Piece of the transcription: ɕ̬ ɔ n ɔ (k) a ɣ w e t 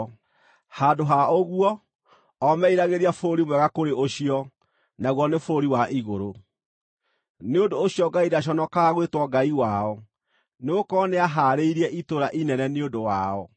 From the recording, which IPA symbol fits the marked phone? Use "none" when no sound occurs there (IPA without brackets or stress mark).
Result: k